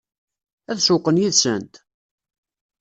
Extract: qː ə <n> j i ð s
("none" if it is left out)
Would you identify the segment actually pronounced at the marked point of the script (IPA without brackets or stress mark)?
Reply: n